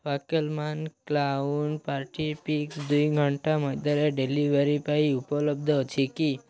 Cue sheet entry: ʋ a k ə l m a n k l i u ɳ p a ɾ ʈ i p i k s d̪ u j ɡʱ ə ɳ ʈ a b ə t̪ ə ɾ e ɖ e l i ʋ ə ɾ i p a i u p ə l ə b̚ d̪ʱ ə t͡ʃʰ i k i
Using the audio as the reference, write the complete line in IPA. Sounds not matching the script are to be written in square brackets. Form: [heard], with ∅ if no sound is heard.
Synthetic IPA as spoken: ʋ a k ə l m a n k l [a] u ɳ p a ɾ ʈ i p i k s d̪ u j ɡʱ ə ɳ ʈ a [m] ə [d̪] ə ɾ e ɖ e l i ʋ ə ɾ i p a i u p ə l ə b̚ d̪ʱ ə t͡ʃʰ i k i

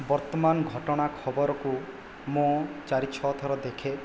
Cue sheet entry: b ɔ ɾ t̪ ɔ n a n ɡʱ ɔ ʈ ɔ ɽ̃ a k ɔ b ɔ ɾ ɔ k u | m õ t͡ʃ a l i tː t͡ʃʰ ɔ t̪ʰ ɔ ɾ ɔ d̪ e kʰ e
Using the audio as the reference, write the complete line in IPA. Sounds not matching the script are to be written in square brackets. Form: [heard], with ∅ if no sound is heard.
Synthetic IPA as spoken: b ɔ ɾ t̪ ɔ [m] a n ɡʱ ɔ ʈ ɔ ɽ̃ a [kʰ] ɔ b ɔ ɾ ɔ k u | m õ t͡ʃ a [ɾ] i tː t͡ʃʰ ɔ t̪ʰ ɔ ɾ ɔ d̪ e kʰ e

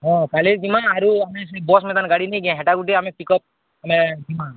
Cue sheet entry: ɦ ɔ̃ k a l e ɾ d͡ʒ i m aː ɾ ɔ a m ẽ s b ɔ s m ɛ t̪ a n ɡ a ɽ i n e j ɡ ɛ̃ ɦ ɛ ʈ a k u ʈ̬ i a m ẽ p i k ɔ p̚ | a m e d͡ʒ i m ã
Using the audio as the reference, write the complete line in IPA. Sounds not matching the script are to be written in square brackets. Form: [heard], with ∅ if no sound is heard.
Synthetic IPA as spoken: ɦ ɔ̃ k a l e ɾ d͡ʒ i m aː ɾ [u] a m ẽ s b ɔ s m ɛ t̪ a n ɡ a ɽ i n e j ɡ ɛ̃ ɦ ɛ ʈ a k u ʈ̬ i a m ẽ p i k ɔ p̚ | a m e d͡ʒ i m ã

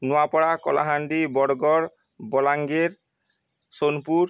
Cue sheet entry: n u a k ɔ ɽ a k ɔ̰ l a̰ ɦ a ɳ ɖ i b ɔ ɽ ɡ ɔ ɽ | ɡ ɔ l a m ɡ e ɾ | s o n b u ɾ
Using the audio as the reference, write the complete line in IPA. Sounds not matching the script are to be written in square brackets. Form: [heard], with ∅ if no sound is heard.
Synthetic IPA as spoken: n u a [p] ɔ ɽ a k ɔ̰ l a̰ ɦ a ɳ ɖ i b ɔ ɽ ɡ ɔ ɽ | [b] ɔ l a [ŋ] ɡ e ɾ | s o n [p] u ɾ

